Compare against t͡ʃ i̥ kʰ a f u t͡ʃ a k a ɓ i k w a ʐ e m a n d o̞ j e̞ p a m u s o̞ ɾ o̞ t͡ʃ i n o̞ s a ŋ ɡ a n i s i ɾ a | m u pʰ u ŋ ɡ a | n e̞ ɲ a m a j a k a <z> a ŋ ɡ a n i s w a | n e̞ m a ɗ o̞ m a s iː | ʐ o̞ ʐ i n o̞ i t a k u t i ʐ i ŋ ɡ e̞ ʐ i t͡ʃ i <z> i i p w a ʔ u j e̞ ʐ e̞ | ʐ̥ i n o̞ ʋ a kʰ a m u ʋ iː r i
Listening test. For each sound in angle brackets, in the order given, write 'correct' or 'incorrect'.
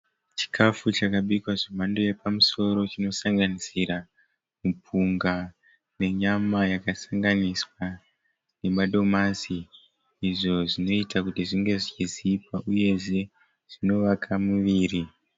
incorrect, correct

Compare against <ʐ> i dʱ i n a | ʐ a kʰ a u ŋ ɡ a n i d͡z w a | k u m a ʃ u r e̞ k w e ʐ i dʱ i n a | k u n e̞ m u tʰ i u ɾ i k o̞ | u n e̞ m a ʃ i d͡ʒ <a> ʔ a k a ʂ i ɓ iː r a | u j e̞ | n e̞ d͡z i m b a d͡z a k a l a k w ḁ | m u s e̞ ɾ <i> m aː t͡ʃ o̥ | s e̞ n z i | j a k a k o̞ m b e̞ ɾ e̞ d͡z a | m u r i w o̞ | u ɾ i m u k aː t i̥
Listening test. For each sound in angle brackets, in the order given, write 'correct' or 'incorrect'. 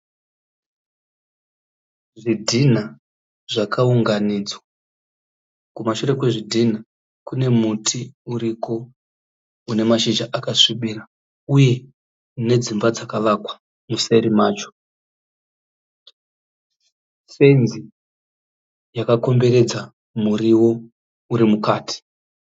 correct, correct, correct

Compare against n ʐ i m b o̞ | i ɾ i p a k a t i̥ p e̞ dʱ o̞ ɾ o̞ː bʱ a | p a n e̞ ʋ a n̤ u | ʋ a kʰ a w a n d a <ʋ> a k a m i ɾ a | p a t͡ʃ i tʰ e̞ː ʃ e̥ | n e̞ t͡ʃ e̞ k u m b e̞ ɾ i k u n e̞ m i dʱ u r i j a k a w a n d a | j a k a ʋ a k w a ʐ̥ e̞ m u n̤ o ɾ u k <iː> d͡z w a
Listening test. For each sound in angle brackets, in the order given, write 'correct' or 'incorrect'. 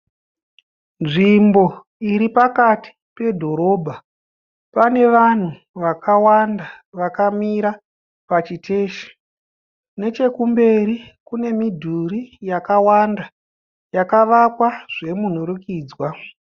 correct, correct

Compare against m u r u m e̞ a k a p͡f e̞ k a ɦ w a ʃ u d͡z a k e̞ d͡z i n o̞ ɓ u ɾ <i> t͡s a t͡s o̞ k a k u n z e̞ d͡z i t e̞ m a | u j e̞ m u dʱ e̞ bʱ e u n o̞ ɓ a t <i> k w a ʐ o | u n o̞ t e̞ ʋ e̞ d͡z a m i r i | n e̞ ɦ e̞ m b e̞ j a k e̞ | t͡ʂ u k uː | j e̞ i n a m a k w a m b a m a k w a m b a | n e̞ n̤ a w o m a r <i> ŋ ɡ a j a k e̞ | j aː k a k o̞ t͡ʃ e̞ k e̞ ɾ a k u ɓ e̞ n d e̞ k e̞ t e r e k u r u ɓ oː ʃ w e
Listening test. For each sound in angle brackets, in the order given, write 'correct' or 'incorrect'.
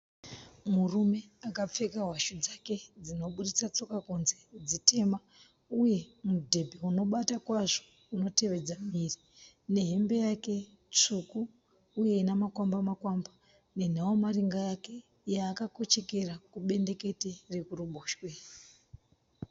correct, incorrect, correct

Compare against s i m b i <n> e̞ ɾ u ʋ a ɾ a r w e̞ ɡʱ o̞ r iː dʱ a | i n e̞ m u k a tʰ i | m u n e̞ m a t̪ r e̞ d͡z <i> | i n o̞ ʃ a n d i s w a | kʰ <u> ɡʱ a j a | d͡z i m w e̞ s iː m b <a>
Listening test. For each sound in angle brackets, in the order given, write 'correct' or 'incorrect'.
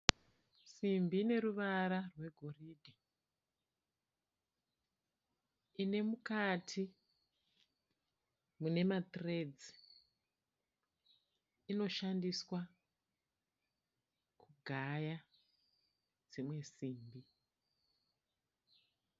correct, correct, correct, incorrect

